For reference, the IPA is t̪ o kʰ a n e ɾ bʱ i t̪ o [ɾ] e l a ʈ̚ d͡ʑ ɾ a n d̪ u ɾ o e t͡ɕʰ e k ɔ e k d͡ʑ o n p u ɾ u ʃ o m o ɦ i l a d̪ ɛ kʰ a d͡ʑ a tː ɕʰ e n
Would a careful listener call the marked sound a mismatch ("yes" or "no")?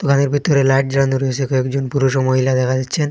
no